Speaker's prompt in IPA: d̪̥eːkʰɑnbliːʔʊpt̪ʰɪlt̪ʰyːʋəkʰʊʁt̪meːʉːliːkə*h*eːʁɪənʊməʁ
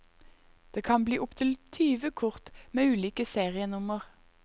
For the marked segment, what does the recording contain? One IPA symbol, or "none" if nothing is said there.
s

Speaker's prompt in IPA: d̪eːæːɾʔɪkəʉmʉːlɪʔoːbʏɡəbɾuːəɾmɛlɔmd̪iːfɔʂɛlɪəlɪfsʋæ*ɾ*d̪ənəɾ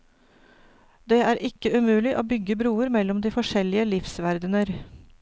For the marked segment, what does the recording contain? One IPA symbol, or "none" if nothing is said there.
ɾ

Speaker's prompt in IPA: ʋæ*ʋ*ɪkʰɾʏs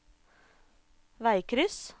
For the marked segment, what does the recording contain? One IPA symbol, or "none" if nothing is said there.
none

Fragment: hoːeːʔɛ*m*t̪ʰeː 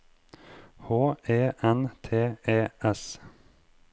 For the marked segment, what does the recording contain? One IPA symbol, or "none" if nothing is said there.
n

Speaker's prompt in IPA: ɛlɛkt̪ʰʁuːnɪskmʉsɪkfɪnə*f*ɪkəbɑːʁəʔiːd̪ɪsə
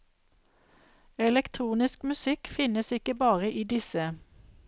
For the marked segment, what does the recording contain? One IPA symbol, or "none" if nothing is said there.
s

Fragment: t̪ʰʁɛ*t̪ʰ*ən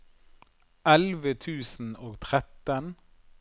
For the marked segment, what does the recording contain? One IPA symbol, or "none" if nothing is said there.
t̪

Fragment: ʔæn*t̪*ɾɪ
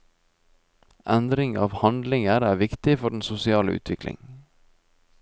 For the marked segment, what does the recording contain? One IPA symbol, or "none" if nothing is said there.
d̪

